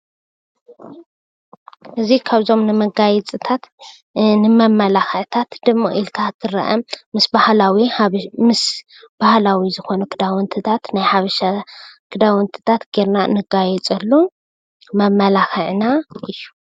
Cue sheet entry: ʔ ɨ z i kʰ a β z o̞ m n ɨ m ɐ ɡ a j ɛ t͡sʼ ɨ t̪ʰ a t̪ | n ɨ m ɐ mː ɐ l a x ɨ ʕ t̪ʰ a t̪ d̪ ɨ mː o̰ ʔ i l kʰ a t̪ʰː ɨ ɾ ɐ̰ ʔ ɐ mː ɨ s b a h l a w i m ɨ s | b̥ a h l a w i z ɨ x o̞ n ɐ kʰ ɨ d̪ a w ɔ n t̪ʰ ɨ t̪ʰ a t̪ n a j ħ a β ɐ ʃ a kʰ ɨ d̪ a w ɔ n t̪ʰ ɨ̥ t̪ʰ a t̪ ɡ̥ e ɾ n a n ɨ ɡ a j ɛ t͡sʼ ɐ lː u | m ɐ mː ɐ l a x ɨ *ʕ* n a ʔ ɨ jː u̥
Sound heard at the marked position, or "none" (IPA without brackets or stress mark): ʕ